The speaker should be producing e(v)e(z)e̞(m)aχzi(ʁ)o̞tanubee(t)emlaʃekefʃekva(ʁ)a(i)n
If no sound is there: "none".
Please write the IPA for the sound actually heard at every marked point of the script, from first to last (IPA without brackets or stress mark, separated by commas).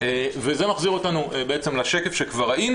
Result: v, z, m, ʁ, t͡s, ʁ, i